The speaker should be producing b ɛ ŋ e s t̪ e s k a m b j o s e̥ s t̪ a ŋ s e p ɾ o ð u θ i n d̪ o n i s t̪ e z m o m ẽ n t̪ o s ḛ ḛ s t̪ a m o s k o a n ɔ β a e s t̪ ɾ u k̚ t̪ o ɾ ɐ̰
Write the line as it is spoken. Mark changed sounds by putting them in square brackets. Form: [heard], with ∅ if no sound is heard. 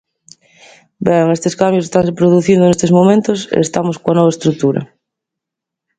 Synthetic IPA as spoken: b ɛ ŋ e s t̪ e s k a m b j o s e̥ s t̪ a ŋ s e p ɾ o ð u θ i n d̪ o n [e] s t̪ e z m o m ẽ n t̪ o s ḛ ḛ s t̪ a m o s k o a n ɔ β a e s t̪ ɾ u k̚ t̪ [u] ɾ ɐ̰